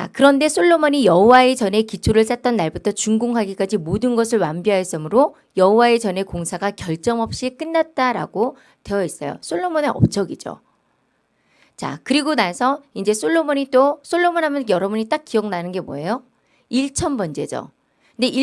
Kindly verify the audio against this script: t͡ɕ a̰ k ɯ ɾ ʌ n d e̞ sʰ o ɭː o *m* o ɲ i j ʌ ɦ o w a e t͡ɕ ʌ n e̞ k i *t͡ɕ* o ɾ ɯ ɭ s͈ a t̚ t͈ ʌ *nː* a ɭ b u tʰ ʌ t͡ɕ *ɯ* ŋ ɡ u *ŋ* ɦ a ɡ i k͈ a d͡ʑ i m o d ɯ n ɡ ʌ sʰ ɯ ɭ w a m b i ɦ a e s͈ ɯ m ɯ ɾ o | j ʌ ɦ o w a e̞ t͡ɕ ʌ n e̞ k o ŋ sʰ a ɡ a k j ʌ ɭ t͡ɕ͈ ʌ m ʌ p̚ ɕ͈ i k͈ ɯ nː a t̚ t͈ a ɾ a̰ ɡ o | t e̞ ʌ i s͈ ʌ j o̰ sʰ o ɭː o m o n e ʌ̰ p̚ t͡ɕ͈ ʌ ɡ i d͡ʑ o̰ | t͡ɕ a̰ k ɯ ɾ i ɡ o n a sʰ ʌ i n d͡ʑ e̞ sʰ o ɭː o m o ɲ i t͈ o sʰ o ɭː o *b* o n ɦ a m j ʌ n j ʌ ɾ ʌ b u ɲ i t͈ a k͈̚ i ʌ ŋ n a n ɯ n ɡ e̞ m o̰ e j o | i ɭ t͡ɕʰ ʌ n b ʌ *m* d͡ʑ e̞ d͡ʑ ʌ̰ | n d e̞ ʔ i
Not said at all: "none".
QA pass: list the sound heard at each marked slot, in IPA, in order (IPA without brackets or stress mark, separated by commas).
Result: m, t͡ɕʰ, nː, u, ŋ, m, n